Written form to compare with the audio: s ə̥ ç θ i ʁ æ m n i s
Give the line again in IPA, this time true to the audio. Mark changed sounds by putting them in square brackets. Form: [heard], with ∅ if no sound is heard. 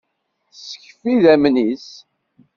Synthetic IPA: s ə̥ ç [f] i [ð] æ m n i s